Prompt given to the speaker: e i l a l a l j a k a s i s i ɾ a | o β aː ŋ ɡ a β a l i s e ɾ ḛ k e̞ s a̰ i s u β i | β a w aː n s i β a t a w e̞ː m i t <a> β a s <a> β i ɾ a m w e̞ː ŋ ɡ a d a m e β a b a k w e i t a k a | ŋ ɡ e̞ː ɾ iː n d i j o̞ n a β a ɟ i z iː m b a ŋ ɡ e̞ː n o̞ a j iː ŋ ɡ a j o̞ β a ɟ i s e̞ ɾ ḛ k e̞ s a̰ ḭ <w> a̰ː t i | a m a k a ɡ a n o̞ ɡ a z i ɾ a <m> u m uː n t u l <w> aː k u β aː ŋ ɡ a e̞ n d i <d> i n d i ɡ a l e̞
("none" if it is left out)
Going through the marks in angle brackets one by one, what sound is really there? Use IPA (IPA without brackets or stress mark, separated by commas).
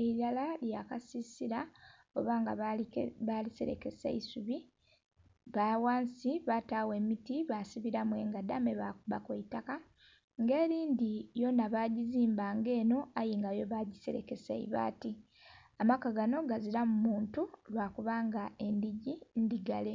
i, i, β, m, w, ɟ